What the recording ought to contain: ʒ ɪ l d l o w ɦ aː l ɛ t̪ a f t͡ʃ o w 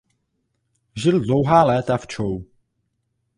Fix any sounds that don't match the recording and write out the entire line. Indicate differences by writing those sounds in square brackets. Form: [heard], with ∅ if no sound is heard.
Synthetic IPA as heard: ʒ ɪ l d l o w ɦ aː l [ɛː] t̪ a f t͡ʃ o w

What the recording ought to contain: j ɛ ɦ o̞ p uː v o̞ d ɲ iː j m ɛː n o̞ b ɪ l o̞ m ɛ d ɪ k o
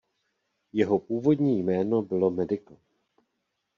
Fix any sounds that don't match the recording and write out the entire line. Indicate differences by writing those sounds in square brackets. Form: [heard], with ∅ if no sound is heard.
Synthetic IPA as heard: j ɛ ɦ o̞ p uː v o̞ d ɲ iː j m ɛː n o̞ b ɪ l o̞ m ɛ d ɪ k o

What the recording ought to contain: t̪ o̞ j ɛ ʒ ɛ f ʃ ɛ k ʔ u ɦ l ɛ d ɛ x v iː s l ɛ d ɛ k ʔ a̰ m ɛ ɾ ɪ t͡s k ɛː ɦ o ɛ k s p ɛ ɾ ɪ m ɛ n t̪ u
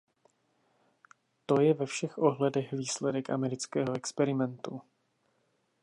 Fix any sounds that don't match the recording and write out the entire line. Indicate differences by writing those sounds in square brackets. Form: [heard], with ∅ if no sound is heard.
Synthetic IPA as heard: t̪ o̞ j ɛ [v] ɛ f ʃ ɛ [x] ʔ [o] ɦ l ɛ d ɛ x v iː s l ɛ d ɛ k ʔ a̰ m ɛ ɾ ɪ t͡s k ɛː ɦ o ɛ k s p ɛ ɾ ɪ m ɛ n t̪ u

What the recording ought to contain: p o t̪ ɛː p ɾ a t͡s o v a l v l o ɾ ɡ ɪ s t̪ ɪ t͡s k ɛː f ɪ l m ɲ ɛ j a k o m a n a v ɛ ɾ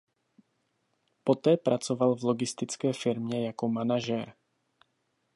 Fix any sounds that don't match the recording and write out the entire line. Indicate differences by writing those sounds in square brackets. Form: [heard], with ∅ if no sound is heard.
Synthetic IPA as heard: p o t̪ ɛː p ɾ a t͡s o v a l v l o [∅] ɡ ɪ s t̪ ɪ t͡s k ɛː f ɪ [ɾ] m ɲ ɛ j a k o m a n a [ʒ] ɛ ɾ

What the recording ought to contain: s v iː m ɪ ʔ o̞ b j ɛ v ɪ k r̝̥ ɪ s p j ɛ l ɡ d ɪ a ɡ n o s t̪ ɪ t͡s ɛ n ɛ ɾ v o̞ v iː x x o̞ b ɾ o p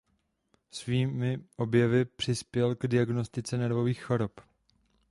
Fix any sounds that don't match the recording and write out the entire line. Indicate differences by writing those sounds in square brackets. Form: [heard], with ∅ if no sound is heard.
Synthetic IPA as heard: s v iː m ɪ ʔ o̞ b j ɛ v ɪ [p] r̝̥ ɪ s p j ɛ l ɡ d ɪ a ɡ n o s t̪ ɪ t͡s ɛ n ɛ ɾ v o̞ v iː x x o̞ [∅] ɾ o p

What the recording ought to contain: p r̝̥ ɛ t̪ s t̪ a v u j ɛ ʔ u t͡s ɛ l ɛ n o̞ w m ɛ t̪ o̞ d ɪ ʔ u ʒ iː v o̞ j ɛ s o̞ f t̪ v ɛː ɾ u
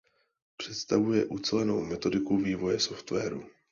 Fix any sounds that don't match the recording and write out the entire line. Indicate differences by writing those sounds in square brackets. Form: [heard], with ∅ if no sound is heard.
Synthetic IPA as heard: p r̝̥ ɛ t̪ s t̪ a v u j ɛ ʔ u t͡s ɛ l ɛ n o̞ w m ɛ t̪ o̞ d ɪ [k] u [v] iː v o̞ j ɛ s o̞ f t̪ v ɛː ɾ u

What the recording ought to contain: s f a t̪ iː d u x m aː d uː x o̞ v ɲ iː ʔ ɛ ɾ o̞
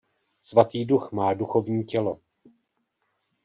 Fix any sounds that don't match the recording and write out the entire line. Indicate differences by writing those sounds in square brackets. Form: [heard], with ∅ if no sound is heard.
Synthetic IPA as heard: s [v] a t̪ iː d u x m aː d [u] x o̞ v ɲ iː [c] ɛ [l] o̞

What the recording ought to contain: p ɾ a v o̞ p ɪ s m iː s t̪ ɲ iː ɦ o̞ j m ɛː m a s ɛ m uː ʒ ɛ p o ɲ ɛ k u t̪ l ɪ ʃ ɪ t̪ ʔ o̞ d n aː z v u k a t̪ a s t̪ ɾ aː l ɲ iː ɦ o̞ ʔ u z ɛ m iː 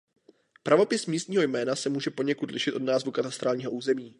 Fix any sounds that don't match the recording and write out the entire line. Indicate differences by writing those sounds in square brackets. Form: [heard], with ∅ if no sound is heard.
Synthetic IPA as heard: p ɾ a v o̞ p ɪ s m iː s t̪ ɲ iː ɦ o̞ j m ɛː [n] a s ɛ m uː ʒ ɛ p o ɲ ɛ k u t̪ l ɪ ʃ ɪ t̪ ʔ o̞ d n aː z v u k a t̪ a s t̪ ɾ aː l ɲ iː ɦ o̞ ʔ [uː] z ɛ m iː

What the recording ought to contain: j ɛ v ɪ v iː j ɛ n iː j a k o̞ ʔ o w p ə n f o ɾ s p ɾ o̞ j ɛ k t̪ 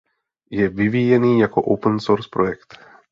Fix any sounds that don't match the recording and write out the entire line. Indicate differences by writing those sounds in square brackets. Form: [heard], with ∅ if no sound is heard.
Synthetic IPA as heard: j ɛ v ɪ v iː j ɛ n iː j a k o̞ ʔ o w p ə n [s] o ɾ s p ɾ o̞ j ɛ k t̪

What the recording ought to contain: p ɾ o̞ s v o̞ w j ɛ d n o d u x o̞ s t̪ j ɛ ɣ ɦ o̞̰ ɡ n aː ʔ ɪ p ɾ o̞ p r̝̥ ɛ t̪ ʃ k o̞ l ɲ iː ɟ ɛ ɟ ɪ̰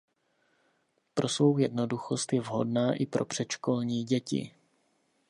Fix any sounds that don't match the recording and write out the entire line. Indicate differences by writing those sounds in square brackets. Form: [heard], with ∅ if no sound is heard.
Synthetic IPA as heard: p ɾ o̞ s v o̞ w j ɛ d n o d u x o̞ s t̪ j ɛ [v] ɦ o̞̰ [d] n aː ʔ ɪ p ɾ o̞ p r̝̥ ɛ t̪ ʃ k o̞ l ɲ iː ɟ ɛ [c] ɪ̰

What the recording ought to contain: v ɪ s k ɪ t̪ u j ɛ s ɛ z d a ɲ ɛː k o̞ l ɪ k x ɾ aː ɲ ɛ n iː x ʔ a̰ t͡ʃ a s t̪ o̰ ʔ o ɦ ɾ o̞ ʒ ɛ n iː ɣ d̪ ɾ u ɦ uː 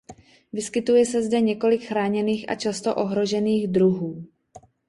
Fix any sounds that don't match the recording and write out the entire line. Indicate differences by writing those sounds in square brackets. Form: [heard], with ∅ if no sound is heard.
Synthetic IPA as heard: v ɪ s k ɪ t̪ u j ɛ s ɛ z d [ɛ] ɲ [ɛ] k o̞ l ɪ k x ɾ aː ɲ ɛ n iː x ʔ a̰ t͡ʃ a s t̪ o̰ ʔ o ɦ ɾ o̞ ʒ ɛ n iː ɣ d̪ ɾ u ɦ uː

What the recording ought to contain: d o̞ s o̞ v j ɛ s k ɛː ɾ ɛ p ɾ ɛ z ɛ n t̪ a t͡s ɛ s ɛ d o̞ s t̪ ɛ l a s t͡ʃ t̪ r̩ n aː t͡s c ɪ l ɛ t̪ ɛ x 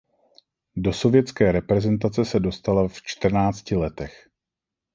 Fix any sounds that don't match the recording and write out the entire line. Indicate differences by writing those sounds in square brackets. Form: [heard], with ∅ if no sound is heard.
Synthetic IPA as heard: d o̞ s o̞ v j ɛ [t͡s] k ɛː ɾ ɛ p ɾ ɛ z ɛ n t̪ a t͡s ɛ s ɛ d o̞ s t̪ [a] l a [f] t͡ʃ t̪ r̩ n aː t͡s c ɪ l ɛ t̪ ɛ x

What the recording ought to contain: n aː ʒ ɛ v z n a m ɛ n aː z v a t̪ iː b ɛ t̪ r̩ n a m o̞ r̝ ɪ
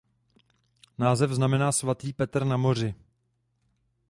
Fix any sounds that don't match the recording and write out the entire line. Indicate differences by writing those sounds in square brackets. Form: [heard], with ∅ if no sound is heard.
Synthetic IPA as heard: n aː [z] ɛ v z n a m ɛ n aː [s] v a t̪ iː [p] ɛ t̪ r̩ n a m o̞ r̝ ɪ

